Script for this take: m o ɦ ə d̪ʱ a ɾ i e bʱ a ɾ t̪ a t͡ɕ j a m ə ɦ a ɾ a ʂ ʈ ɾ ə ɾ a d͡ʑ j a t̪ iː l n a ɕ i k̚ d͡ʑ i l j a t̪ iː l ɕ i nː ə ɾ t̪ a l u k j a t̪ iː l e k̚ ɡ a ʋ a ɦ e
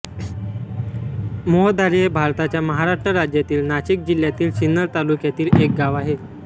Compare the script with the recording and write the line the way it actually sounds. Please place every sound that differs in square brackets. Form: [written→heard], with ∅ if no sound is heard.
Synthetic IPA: m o ɦ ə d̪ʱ a ɾ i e bʱ a ɾ t̪ a t͡ɕ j a m ə ɦ a ɾ a ʂ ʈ ɾ ə ɾ a d͡ʑ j a t̪ iː l n a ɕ i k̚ d͡ʑ i l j a t̪ iː l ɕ i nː ə ɾ t̪ a l u k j a t̪ iː l e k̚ ɡ a ʋ a ɦ e